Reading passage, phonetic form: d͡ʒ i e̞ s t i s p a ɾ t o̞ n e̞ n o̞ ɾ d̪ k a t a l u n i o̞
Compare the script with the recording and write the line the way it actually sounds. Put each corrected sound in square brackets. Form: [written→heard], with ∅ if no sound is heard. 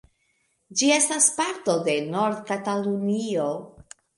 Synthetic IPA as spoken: d͡ʒ i e̞ s t [i→a] s p a ɾ t o̞ [n→d] e̞ n o̞ ɾ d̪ k a t a l u n i o̞